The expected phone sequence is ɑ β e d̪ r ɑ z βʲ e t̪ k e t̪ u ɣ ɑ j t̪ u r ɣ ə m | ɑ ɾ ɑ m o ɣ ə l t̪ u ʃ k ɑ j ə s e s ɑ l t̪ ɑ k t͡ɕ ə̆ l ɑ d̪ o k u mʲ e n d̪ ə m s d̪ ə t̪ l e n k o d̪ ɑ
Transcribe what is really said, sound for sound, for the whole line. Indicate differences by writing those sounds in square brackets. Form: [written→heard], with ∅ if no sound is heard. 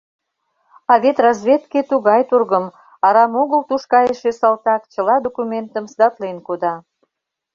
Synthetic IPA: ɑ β e [d̪→t̪] r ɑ z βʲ e t̪ k e t̪ u ɣ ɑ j t̪ u r ɣ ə m | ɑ ɾ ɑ m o ɣ ə l t̪ u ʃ k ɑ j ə [s→ʃ] e s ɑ l t̪ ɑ k t͡ɕ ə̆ l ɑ d̪ o k u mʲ e n [d̪→t̪] ə m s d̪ [ə→ɑ] t̪ l e n k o d̪ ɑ